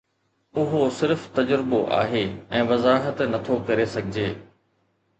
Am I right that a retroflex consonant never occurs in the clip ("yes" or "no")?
yes